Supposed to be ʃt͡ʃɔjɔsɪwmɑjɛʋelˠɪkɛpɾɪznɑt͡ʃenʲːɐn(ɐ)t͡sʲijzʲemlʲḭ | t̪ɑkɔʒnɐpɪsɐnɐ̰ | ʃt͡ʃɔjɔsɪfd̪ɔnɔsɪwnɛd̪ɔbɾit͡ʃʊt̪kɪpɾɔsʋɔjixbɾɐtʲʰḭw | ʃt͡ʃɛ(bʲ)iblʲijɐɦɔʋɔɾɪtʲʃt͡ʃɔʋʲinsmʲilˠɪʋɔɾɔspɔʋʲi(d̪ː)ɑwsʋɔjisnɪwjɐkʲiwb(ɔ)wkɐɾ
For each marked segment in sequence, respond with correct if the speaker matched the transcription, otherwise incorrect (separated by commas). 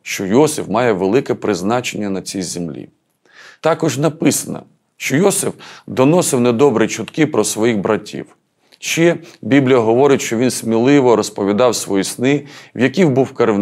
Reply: correct, correct, incorrect, incorrect